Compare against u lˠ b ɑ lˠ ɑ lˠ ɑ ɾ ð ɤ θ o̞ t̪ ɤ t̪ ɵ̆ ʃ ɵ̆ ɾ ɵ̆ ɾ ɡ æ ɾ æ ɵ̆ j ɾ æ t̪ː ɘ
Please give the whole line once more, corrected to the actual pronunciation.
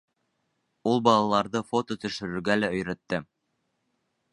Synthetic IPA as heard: u lˠ b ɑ lˠ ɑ lˠ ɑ ɾ ð ɤ f o̞ t̪ o t̪ ɵ̆ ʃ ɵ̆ ɾ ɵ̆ ɾ ɡ æ l æ ɵ̆ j ɾ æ t̪ː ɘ